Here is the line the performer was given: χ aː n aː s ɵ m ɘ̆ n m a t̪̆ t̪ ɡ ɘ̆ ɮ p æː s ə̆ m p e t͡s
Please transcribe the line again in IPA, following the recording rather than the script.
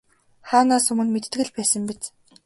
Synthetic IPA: χ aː n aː s ɵ m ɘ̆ n m e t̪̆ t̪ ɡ ɘ̆ ɮ p æː s ə̆ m p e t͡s